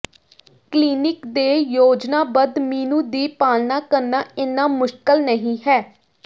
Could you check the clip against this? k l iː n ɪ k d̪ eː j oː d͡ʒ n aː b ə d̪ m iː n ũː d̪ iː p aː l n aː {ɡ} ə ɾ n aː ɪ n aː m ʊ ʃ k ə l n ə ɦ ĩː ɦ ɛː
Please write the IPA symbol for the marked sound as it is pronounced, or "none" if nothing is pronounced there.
k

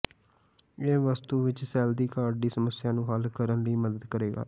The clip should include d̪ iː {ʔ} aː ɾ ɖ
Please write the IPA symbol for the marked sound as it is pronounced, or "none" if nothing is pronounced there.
k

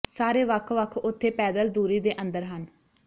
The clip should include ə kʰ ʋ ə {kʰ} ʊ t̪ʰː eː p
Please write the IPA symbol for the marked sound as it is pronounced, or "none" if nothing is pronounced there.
kʰ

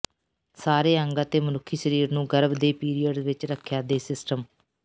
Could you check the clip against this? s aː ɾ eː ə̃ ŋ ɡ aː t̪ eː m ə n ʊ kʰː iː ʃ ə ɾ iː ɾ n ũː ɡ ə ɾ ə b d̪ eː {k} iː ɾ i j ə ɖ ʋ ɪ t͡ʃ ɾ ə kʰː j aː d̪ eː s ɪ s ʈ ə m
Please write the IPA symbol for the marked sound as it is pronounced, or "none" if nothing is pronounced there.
p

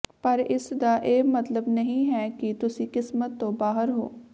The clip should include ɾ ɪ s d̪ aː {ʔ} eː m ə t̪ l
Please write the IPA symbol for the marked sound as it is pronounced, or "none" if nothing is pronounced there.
ʔ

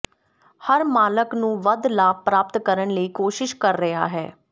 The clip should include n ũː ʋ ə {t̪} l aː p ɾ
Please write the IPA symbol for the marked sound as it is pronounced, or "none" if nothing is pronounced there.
d̪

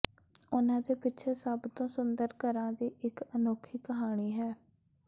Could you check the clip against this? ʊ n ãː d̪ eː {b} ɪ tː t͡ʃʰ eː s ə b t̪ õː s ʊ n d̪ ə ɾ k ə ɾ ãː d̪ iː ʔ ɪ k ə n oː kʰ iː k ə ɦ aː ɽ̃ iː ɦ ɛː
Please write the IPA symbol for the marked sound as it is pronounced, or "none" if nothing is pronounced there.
p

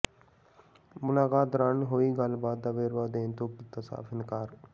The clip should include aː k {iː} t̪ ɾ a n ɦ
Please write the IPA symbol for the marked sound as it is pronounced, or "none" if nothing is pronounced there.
aː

